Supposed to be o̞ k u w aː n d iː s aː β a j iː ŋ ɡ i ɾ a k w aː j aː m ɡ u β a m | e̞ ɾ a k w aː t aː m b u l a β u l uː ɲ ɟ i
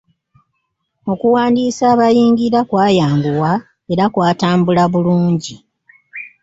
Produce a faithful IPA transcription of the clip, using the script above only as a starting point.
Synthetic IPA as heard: o̞ k u w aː n d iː s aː β a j iː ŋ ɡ i ɾ a k w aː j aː m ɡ u w a | e̞ ɾ a k w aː t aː m b u l a β u l uː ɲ ɟ i